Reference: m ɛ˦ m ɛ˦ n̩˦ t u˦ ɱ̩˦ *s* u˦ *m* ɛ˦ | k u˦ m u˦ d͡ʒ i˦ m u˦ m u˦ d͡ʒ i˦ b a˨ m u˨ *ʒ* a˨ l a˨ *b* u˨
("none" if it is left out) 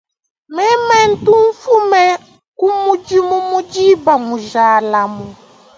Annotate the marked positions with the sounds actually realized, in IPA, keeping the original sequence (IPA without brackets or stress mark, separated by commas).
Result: f, m, ʒ, m